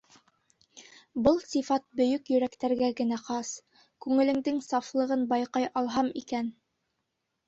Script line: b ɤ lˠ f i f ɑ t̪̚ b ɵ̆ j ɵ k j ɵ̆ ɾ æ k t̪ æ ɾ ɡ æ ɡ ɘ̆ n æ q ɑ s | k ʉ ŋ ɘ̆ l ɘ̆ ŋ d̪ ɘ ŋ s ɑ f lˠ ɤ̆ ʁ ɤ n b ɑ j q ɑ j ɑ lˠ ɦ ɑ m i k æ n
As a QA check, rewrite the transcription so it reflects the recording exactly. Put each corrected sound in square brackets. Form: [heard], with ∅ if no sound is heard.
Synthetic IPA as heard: b ɤ lˠ [s] i f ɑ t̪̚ b ɵ̆ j ɵ k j ɵ̆ ɾ æ k t̪ æ ɾ ɡ æ ɡ ɘ̆ n æ q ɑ s | k ʉ ŋ ɘ̆ l ɘ̆ ŋ d̪ ɘ ŋ s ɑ f lˠ ɤ̆ ʁ ɤ n b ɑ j q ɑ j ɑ lˠ ɦ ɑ m i k æ n